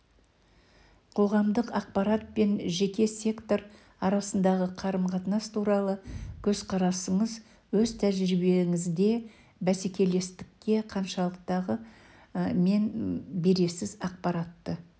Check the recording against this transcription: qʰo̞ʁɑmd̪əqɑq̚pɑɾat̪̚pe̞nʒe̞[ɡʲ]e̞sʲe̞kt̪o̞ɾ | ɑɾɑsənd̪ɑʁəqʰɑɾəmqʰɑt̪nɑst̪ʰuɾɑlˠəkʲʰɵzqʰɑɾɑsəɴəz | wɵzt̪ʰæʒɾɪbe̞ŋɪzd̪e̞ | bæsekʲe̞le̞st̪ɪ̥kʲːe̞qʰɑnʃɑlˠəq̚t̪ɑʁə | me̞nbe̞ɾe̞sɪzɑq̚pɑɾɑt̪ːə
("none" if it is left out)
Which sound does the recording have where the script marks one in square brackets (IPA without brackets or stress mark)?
kʲ